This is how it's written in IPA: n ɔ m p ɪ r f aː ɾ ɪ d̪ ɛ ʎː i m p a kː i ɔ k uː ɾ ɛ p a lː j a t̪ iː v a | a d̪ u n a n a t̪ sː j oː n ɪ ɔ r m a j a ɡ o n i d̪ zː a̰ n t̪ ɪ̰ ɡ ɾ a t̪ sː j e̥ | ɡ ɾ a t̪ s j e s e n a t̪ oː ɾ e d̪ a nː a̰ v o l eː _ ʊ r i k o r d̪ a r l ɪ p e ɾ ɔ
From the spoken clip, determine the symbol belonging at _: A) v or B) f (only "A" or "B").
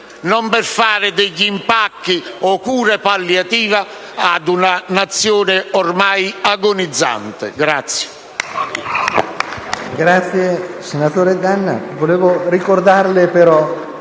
A